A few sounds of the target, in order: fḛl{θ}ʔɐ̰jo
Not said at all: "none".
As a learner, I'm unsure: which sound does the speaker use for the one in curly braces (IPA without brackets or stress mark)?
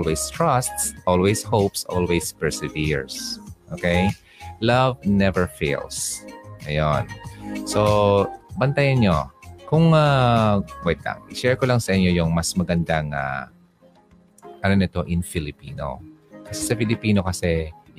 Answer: s